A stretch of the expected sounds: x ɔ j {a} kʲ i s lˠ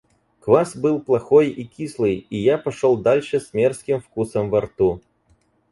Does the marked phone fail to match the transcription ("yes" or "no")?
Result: yes